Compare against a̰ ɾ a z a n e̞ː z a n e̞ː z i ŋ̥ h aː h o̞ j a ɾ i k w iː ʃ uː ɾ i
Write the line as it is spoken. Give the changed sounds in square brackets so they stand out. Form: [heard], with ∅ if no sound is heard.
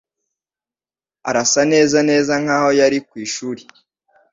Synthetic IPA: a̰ ɾ a [s] a n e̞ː z a n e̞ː z [a] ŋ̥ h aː h o̞ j a ɾ i k w iː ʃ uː ɾ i